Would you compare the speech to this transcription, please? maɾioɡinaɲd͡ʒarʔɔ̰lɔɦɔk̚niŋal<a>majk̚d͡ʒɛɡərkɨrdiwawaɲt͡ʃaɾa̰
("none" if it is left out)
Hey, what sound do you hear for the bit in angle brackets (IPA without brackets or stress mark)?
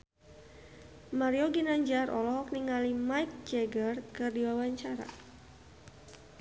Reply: i